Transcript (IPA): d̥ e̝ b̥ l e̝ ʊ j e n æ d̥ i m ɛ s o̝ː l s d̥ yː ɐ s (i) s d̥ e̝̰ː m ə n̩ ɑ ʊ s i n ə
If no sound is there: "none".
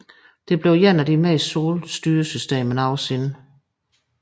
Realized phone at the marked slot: y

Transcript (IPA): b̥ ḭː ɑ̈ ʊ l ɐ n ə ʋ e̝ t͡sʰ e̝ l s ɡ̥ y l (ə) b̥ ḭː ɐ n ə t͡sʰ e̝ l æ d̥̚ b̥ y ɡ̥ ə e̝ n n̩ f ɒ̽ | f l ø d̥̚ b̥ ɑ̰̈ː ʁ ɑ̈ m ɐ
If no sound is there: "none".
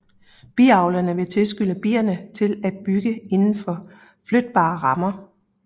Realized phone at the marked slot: ə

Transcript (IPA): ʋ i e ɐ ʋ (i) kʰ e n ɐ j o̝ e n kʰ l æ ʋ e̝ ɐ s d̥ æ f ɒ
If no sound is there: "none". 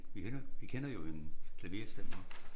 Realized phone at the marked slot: i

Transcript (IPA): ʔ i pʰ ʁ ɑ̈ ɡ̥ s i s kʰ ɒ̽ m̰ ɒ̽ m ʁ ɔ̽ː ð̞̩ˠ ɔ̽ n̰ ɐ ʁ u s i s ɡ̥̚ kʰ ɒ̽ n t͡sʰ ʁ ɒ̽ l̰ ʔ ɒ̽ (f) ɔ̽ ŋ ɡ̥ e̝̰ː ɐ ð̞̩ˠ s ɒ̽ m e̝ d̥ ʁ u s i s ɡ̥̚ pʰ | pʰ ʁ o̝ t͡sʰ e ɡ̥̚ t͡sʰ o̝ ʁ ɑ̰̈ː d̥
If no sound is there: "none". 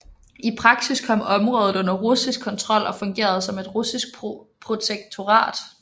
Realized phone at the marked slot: f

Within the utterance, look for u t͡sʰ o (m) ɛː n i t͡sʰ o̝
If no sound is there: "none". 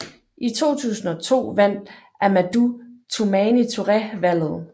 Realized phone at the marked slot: m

